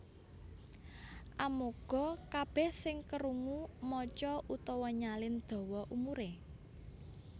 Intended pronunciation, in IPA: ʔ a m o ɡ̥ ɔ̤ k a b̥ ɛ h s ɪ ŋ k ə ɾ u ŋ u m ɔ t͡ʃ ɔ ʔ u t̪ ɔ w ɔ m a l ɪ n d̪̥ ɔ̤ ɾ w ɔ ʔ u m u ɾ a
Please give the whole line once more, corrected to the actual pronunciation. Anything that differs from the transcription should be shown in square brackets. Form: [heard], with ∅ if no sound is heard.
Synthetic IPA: ʔ a m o ɡ̥ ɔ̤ k a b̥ ɛ h s ɪ ŋ k ə ɾ u ŋ u m ɔ t͡ʃ ɔ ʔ u t̪ ɔ w ɔ [ɲ] a l ɪ n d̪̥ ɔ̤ [∅] w ɔ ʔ u m u ɾ [e]